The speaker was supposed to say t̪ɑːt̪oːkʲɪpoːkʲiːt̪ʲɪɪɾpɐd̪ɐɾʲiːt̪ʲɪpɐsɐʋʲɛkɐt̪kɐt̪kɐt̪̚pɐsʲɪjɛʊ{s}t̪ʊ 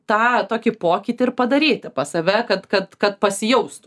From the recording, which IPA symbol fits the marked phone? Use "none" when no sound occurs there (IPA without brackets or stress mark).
s